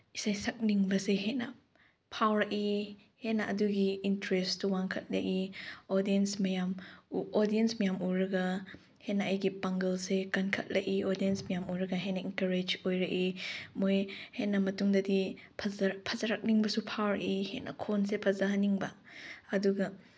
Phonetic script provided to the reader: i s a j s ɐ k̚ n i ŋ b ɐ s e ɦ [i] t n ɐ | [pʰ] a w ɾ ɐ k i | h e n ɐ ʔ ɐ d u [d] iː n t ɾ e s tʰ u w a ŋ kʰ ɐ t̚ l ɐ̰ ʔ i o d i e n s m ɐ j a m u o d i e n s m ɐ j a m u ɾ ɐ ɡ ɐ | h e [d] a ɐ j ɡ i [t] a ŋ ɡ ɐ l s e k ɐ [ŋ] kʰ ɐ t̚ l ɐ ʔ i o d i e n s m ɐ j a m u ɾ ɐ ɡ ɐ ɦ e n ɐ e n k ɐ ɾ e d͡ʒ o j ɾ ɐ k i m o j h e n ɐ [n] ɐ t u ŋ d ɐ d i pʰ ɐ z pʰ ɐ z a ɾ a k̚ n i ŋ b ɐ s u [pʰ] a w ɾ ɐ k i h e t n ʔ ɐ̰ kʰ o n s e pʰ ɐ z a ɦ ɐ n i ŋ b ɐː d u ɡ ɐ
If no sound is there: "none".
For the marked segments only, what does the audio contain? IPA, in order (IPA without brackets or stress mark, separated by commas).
e, pʰ, ɡ, n, p, n, m, pʰ